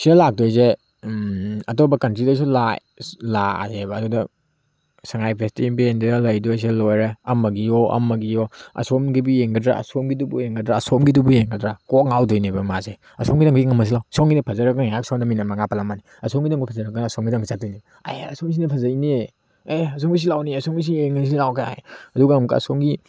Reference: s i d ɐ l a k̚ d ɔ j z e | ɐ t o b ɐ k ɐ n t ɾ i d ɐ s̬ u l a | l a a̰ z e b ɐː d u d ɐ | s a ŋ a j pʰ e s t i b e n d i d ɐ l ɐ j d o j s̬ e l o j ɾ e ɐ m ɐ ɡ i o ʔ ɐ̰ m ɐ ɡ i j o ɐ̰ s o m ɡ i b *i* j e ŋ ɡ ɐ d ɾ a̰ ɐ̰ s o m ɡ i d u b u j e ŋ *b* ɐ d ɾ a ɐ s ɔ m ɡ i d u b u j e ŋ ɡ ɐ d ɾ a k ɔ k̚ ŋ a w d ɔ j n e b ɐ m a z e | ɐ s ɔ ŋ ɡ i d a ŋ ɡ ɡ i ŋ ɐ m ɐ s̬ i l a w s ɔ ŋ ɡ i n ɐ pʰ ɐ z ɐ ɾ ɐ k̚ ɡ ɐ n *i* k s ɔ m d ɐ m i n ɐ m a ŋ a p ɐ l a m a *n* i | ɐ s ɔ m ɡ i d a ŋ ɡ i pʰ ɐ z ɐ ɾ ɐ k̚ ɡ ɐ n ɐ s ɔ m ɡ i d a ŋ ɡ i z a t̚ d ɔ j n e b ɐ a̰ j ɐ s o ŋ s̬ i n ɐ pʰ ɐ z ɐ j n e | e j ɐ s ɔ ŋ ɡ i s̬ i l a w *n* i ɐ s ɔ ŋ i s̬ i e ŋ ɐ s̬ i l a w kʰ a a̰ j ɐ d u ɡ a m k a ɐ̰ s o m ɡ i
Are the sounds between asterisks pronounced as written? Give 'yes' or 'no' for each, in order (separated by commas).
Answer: yes, no, no, yes, yes